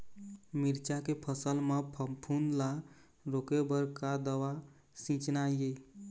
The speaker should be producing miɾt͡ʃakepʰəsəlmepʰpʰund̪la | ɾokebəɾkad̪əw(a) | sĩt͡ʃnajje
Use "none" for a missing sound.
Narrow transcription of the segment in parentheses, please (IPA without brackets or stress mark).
a